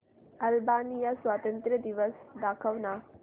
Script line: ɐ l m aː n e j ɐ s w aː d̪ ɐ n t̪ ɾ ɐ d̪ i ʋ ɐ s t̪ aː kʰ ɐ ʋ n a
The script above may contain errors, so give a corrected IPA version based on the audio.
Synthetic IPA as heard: ɐ l b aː n i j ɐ s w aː t̪ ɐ n t̪ ɾ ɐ d̪ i ʋ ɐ s d̪ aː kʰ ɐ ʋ n a